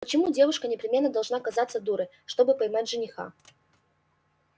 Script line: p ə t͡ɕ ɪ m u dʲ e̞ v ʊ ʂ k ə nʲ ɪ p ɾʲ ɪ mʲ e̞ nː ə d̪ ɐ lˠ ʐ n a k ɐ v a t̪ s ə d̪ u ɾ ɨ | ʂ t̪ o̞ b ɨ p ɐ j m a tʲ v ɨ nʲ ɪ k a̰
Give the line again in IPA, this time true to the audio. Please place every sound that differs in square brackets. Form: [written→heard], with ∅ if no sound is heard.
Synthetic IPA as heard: p ə t͡ɕ ɪ m u dʲ e̞ v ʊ ʂ k ə nʲ ɪ p ɾʲ ɪ mʲ e̞ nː ə d̪ ɐ lˠ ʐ n a k ɐ [v→z] a t̪ s ə d̪ u ɾ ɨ | ʂ t̪ o̞ b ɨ p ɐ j m a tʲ [v→ʐ] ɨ nʲ ɪ [k→x] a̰